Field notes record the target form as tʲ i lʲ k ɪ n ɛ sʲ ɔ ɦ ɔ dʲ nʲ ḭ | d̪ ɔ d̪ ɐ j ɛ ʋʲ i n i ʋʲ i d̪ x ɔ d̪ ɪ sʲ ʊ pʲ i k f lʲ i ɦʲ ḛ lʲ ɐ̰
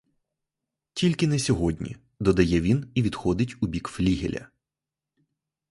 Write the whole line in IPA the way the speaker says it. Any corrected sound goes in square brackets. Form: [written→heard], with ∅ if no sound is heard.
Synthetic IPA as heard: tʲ i lʲ k ɪ n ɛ sʲ ɔ ɦ ɔ dʲ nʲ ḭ | d̪ ɔ d̪ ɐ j ɛ ʋʲ i n i ʋʲ i d̪ x ɔ d̪ ɪ [sʲ→tʲ] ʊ [pʲ→bʲ] i k f lʲ i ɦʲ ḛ lʲ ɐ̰